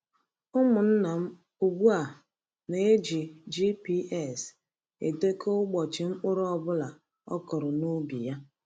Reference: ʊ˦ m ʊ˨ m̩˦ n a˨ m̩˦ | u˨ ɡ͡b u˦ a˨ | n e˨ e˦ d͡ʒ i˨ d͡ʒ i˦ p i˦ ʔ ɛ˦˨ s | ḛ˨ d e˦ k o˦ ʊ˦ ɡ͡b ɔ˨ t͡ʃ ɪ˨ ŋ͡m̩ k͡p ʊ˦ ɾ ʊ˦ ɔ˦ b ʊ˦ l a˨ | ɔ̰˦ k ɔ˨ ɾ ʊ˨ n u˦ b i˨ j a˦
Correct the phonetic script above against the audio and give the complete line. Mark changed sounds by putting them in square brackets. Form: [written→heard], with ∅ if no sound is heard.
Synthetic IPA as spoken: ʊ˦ m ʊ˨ [m̩˦→n̩˦] n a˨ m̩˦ | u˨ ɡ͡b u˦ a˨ | n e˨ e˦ d͡ʒ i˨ d͡ʒ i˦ p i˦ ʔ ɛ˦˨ s | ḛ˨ d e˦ k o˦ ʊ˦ ɡ͡b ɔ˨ t͡ʃ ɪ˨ ŋ͡m̩ k͡p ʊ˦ ɾ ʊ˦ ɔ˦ b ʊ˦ l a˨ | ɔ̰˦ k ɔ˨ ɾ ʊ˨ n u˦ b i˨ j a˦